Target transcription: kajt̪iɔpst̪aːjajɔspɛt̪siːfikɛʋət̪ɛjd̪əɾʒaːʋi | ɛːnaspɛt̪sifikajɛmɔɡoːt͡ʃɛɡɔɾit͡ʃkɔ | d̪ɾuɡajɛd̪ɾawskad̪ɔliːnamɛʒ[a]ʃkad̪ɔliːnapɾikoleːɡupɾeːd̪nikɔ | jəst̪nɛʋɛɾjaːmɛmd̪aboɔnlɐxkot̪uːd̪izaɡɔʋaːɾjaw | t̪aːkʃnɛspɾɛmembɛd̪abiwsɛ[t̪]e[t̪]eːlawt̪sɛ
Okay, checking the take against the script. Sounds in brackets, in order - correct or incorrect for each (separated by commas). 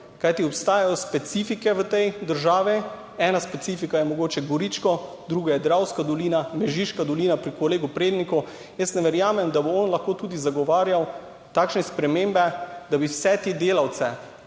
incorrect, correct, incorrect